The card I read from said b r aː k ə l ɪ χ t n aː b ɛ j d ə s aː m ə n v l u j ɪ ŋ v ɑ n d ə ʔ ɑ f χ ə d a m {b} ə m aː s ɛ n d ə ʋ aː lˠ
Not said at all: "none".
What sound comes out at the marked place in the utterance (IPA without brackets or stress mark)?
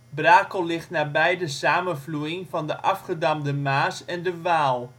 d